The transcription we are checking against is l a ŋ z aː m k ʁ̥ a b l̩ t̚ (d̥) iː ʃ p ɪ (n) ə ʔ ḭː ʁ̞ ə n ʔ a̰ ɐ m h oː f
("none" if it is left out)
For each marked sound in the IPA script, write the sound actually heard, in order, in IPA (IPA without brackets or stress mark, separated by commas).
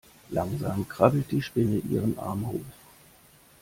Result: d̥, n